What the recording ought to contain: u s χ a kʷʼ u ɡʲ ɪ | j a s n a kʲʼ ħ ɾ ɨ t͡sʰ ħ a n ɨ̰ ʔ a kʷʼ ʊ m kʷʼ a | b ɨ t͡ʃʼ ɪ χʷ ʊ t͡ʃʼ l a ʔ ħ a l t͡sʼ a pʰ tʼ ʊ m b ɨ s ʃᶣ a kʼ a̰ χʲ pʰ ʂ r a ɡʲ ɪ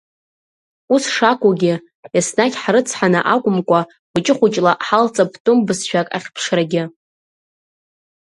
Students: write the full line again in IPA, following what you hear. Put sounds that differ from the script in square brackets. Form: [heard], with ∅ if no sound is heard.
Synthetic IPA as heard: u s [ʂ] a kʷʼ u ɡʲ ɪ | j a s n a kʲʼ ħ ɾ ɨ t͡sʰ ħ a n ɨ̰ ʔ a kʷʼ ʊ m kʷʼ a | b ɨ t͡ʃʼ ɪ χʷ ʊ t͡ʃʼ l a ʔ ħ a l t͡sʼ a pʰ tʼ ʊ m b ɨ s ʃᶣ a kʼ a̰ χʲ pʰ ʂ r a ɡʲ ɪ